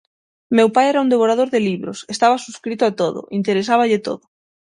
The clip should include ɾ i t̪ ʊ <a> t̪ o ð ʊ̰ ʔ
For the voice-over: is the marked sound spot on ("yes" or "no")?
yes